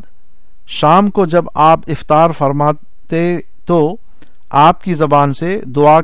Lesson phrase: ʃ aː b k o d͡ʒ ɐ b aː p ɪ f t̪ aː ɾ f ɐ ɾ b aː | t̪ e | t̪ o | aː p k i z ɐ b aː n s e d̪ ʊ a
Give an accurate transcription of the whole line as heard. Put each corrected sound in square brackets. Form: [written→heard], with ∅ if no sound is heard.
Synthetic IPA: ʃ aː [b→m] k o d͡ʒ ɐ b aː p ɪ f t̪ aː ɾ f ɐ ɾ [b→m] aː | t̪ e | t̪ o | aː p k i z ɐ b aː n s e d̪ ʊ a